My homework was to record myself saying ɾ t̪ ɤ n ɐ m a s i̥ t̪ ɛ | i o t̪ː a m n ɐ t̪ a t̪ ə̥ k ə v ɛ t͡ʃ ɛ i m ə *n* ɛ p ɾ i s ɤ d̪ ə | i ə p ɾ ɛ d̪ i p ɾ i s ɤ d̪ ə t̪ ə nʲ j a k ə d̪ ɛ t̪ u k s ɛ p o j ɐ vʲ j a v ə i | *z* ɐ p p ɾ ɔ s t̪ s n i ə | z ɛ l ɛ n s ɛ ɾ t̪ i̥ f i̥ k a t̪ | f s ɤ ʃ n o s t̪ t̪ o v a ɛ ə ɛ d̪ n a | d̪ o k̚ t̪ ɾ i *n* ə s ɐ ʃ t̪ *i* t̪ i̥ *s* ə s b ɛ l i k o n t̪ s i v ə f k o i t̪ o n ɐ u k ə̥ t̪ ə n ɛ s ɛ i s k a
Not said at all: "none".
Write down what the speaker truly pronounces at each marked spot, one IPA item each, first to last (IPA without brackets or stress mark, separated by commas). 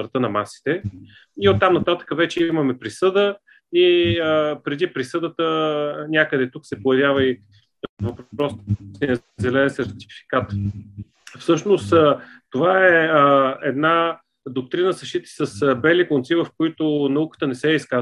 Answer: m, v, n, i, s